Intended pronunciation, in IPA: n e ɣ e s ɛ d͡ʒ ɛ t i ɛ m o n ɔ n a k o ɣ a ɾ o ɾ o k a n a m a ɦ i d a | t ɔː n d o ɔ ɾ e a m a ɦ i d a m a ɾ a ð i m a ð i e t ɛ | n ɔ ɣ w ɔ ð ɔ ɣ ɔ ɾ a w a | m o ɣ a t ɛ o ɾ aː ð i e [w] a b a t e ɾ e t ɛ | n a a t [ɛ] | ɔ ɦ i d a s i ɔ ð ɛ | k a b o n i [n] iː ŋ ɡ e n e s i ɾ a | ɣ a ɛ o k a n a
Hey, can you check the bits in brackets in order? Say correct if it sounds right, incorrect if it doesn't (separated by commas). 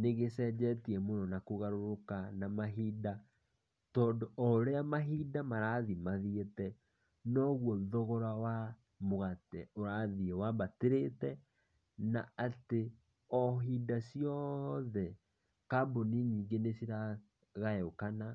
correct, incorrect, incorrect